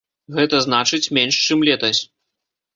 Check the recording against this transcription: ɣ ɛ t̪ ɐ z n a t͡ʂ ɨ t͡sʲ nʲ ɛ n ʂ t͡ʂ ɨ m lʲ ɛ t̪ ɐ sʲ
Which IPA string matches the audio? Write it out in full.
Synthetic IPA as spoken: ɣ ɛ t̪ ɐ z n a t͡ʂ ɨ t͡sʲ mʲ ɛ n ʂ t͡ʂ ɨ m lʲ ɛ t̪ ɐ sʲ